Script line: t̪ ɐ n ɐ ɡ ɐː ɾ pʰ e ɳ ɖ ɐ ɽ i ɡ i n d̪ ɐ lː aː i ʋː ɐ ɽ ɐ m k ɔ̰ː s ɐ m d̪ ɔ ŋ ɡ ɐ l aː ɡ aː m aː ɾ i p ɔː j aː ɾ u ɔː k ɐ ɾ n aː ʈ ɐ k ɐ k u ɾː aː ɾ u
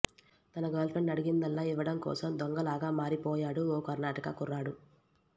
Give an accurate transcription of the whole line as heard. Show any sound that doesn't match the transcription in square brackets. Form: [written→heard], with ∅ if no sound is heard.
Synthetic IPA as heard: t̪ ɐ n ɐ ɡ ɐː [ɾ→l] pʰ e ɳ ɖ ɐ ɽ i ɡ i n d̪ ɐ lː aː i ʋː ɐ ɽ ɐ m k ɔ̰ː s ɐ m d̪ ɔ ŋ ɡ ɐ l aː ɡ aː m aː ɾ i p ɔː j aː [ɾ→ɽ] u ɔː k ɐ ɾ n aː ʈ ɐ k ɐ k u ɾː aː [ɾ→ɽ] u